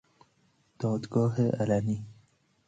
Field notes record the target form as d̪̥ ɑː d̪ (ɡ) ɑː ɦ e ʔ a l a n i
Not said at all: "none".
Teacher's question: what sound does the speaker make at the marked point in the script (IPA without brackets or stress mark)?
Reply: ɡ